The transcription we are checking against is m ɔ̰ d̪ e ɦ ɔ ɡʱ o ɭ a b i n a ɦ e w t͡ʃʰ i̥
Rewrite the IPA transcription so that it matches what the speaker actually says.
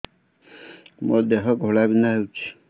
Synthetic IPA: m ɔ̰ d̪ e ɦ ɔ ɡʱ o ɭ a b i n a ɦ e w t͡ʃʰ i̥